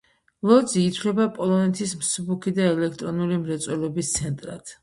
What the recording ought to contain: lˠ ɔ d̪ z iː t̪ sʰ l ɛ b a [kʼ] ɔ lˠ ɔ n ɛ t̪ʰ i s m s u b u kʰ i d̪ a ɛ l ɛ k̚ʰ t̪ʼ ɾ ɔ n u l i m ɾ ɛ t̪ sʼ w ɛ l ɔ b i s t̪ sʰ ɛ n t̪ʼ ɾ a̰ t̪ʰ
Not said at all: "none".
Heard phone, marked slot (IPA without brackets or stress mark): pʼ